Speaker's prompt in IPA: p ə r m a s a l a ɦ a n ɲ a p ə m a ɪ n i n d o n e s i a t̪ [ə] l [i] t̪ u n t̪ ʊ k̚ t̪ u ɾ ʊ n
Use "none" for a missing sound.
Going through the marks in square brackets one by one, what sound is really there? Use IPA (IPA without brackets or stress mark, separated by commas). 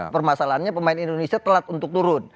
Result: ə, a